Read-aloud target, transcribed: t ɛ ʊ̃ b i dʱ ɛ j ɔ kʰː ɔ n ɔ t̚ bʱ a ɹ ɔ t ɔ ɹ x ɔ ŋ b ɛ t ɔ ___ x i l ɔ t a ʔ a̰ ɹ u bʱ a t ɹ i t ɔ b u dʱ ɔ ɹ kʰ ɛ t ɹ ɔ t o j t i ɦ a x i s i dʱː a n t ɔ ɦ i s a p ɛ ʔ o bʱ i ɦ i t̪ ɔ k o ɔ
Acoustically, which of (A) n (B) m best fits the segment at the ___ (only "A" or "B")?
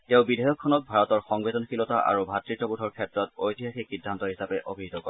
A